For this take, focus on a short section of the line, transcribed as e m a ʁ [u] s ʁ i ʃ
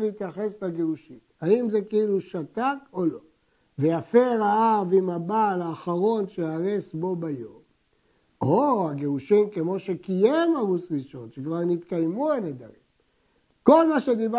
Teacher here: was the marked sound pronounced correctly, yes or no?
yes